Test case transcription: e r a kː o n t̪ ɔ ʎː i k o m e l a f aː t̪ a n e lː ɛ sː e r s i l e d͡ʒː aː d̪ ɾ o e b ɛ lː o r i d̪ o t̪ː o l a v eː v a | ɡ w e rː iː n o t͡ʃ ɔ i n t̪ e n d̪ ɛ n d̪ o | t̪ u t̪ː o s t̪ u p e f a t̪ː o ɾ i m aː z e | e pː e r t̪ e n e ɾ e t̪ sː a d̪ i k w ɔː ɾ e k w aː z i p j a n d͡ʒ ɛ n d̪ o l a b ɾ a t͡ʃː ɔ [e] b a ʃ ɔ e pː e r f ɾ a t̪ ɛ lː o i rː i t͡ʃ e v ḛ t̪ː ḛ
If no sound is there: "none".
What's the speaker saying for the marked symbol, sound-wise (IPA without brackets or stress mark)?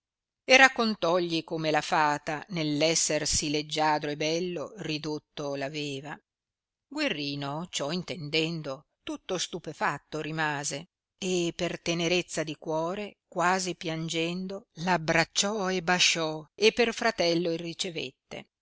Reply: e